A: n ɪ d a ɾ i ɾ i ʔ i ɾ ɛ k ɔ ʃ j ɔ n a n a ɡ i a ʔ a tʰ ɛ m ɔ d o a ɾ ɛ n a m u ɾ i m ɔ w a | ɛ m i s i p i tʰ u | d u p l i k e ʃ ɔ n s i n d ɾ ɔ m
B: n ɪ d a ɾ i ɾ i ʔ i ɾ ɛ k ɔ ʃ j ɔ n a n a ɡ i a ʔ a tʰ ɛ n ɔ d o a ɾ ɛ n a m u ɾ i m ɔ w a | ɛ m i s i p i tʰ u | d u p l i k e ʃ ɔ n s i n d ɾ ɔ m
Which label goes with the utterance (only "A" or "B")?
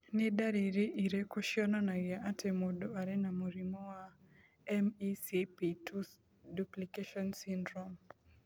A